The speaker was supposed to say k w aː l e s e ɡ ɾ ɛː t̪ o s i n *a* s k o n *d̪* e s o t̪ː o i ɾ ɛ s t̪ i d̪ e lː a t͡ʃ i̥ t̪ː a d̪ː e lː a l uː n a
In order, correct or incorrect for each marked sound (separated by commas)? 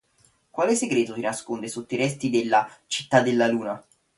correct, correct